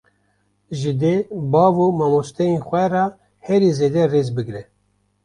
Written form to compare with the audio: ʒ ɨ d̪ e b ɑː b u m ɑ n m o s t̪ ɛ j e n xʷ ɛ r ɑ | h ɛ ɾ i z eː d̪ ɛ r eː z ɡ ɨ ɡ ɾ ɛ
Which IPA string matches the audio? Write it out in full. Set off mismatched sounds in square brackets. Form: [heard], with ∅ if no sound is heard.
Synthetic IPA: ʒ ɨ d̪ e b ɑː [v] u m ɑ [∅] m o s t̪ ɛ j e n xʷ ɛ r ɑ | h ɛ ɾ i z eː d̪ ɛ r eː z [b] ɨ ɡ ɾ ɛ